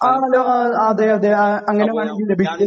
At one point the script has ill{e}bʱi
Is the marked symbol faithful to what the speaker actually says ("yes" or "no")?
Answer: yes